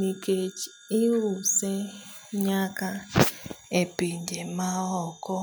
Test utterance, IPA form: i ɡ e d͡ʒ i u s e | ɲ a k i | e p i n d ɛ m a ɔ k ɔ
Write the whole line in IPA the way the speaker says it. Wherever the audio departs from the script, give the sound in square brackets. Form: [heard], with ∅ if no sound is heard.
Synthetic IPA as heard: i [k] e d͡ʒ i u s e | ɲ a k [a] | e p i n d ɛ m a ɔ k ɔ